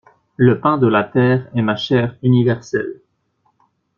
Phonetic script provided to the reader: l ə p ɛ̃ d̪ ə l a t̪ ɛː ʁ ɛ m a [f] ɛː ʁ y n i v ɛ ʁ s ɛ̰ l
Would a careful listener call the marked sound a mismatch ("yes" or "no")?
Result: yes